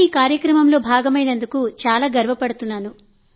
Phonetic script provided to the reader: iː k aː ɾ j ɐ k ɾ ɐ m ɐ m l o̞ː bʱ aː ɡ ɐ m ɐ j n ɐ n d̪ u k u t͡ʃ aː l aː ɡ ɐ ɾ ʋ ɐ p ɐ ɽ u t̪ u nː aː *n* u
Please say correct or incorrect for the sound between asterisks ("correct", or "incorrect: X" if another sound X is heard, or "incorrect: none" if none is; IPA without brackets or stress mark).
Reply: correct